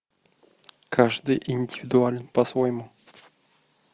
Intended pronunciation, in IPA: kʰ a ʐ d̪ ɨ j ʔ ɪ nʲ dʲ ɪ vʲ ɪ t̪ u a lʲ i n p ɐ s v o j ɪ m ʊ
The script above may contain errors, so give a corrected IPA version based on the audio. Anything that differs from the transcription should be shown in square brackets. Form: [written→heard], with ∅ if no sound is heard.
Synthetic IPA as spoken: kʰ a ʐ d̪ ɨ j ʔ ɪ nʲ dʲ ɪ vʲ ɪ [t̪→d̪] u a lʲ [i→ɪ] n p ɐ s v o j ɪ m [ʊ→u]